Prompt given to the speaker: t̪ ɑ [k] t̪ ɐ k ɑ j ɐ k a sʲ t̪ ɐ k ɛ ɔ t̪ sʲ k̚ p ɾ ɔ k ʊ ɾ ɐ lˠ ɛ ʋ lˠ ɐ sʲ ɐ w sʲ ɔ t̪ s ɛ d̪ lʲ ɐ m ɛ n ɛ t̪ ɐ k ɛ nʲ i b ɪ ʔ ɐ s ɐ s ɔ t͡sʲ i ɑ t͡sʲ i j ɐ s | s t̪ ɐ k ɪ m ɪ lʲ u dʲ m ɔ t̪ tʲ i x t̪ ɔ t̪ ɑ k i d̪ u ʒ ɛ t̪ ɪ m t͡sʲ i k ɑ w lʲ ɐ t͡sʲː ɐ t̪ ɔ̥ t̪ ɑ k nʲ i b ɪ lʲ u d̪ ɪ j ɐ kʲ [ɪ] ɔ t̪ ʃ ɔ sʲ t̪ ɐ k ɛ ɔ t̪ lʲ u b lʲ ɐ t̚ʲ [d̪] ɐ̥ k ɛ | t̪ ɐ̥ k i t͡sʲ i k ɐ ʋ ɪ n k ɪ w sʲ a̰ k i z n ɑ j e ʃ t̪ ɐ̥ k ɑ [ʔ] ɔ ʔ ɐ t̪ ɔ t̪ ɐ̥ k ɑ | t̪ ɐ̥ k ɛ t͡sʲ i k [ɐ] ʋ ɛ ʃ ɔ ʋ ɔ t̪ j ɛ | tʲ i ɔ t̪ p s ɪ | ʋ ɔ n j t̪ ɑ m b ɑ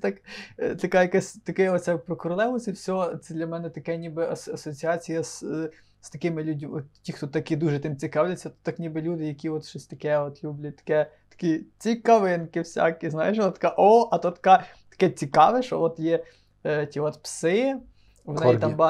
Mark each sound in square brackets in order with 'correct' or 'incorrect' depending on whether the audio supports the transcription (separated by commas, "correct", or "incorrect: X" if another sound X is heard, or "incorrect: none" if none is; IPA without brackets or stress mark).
correct, incorrect: i, incorrect: t̪, correct, incorrect: ɑ